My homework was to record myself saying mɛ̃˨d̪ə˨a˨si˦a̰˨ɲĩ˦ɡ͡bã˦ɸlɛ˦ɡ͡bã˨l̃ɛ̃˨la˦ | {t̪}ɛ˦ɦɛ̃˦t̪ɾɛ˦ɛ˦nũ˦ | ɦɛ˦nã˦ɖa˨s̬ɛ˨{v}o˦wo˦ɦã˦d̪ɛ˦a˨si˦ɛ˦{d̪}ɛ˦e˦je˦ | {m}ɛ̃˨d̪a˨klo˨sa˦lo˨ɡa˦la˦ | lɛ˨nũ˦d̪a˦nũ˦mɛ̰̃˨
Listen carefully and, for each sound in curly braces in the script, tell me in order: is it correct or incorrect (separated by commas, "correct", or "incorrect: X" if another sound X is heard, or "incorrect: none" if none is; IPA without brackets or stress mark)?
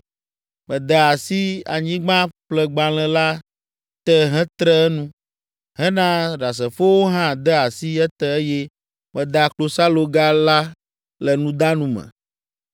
correct, incorrect: f, incorrect: t̪, correct